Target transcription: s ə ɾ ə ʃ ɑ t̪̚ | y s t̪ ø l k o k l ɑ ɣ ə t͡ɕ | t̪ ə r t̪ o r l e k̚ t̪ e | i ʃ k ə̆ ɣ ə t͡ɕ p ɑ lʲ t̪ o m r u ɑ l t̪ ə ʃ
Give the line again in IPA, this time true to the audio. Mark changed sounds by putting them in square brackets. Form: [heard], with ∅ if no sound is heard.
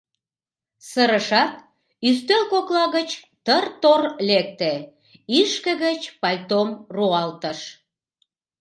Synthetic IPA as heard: s ə ɾ ə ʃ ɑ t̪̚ | y s t̪ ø l k o k l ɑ ɣ ə t͡ɕ | t̪ ə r t̪ o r l e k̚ t̪ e | i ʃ k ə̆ ɣ ə t͡ɕ p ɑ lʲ t̪ o m r u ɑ l t̪ ə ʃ